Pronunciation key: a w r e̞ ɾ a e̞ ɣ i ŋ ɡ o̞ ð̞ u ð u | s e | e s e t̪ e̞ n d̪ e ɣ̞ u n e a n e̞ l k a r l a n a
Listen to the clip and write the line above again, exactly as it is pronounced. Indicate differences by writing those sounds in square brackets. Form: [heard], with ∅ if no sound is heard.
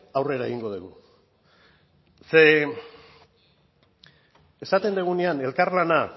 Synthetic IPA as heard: a w r e̞ ɾ a e̞ ɣ i ŋ ɡ o̞ ð̞ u [ɣ] u | s e | e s [a] t̪ e̞ n d̪ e ɣ̞ u n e a n e̞ l k a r l a n a